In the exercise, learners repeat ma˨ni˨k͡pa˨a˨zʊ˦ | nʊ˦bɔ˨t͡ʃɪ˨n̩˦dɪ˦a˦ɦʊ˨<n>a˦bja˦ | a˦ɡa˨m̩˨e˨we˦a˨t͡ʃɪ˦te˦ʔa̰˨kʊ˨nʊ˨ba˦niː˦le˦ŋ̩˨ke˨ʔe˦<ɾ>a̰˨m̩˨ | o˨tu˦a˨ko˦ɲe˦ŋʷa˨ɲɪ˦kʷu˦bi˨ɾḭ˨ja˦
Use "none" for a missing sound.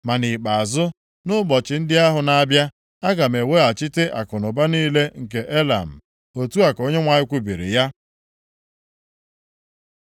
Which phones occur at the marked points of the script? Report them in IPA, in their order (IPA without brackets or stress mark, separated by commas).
n, l